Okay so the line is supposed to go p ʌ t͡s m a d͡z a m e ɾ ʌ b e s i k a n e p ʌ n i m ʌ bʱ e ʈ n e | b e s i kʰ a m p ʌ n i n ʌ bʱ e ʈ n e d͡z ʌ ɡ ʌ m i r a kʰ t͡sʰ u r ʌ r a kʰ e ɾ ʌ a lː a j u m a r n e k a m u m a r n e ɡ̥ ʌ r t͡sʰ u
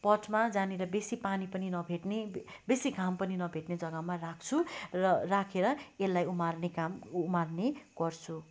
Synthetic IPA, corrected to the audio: p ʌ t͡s m a d͡z a n e ɾ ʌ b e s i p a n i p ʌ n i n ʌ bʱ e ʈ n e | b e s i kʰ a m p ʌ n i n ʌ bʱ e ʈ n e d͡z ʌ ɡ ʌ m a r a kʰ t͡sʰ u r ʌ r a kʰ e ɾ ʌ e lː a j u m a r n e k a m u m a r n e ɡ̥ ʌ r t͡sʰ u